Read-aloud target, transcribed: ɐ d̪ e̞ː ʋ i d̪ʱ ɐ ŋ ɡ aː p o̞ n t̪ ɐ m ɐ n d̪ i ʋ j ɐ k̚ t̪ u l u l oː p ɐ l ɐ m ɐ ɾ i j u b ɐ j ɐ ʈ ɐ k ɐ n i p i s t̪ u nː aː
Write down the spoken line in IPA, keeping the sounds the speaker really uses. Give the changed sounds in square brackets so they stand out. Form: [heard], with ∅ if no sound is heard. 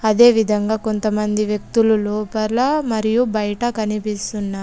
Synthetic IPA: ɐ d̪ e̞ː ʋ i d̪ʱ ɐ ŋ ɡ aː [k] o̞ n t̪ ɐ m ɐ n d̪ i ʋ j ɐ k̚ t̪ u l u l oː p ɐ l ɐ m ɐ ɾ i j u b ɐ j ɐ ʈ ɐ k ɐ n i p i s t̪ u nː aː